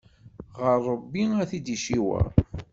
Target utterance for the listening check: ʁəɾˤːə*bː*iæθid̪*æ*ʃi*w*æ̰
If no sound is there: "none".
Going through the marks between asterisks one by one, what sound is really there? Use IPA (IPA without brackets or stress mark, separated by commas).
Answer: bː, i, w